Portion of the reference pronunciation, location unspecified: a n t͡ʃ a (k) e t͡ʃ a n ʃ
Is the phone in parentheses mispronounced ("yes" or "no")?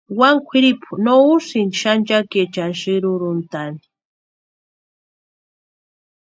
no